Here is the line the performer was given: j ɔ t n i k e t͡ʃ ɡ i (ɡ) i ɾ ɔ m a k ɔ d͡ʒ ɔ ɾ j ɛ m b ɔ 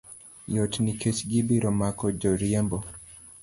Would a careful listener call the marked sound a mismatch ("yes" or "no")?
yes